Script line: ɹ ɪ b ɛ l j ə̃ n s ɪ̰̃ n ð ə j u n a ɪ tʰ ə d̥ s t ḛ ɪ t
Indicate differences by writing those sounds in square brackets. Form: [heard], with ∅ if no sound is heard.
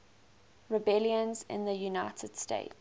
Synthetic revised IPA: ɹ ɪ b ɛ l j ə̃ n [z] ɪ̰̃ n ð ə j u n a ɪ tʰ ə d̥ s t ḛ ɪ t